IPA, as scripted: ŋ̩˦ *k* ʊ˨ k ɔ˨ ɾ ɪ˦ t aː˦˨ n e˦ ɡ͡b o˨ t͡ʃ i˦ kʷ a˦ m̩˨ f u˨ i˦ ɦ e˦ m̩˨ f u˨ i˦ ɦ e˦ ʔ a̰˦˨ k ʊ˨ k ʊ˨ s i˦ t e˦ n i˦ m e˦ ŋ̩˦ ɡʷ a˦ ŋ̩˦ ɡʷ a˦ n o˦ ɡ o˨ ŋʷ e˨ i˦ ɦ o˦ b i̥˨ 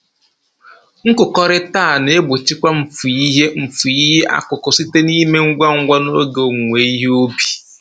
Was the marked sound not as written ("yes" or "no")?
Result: no